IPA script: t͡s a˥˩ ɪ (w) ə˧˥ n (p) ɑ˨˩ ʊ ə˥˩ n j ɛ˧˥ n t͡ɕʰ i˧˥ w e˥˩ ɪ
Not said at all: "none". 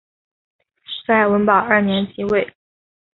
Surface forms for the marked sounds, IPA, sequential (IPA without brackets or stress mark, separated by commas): w, p